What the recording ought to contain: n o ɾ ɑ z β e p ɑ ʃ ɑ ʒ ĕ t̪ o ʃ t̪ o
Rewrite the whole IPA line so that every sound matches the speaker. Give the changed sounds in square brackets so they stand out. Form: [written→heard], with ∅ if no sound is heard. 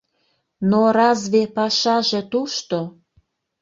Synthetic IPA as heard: n o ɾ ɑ z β e p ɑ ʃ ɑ ʒ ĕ t̪ [o→u] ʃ t̪ o